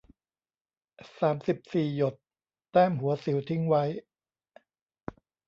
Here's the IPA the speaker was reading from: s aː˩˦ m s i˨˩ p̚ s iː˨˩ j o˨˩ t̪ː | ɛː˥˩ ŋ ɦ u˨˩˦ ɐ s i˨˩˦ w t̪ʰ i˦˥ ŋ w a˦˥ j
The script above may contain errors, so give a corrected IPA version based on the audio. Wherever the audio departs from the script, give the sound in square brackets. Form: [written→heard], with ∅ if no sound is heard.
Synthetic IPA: s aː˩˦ m s i˨˩ p̚ s iː˨˩ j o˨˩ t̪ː | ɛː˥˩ [ŋ→m] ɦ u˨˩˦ ɐ s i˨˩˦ w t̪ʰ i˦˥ ŋ w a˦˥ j